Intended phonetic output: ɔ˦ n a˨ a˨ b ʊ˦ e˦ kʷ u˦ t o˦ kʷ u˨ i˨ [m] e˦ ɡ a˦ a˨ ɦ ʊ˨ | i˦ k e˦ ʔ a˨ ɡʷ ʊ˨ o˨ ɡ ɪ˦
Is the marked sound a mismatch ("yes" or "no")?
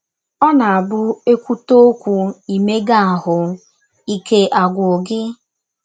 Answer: no